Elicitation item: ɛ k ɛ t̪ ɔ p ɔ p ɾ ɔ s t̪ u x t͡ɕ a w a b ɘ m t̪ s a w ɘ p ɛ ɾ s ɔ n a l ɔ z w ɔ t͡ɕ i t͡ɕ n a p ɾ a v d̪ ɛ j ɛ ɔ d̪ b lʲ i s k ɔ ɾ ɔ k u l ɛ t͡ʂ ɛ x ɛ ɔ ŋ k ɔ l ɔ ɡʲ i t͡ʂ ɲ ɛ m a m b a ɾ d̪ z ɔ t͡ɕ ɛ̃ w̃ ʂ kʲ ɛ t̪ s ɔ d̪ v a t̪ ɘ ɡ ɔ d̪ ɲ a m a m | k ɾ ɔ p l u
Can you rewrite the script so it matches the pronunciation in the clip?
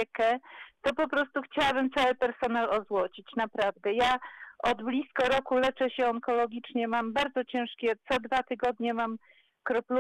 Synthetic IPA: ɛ k ɛ t̪ ɔ p ɔ p ɾ ɔ s t̪ u x t͡ɕ a w a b ɘ m t̪ s a w ɘ p ɛ ɾ s ɔ n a l ɔ z w ɔ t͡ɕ i t͡ɕ n a p ɾ a v d̪ ɛ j a ɔ d̪ b lʲ i s k ɔ ɾ ɔ k u l ɛ t͡ʂ ɛ ɕ ɛ ɔ ŋ k ɔ l ɔ ɡʲ i t͡ʂ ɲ ɛ m a m b a ɾ d̪ z ɔ t͡ɕ ɛ̃ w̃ ʂ kʲ ɛ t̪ s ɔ d̪ v a t̪ ɘ ɡ ɔ d̪ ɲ ɛ m a m | k ɾ ɔ p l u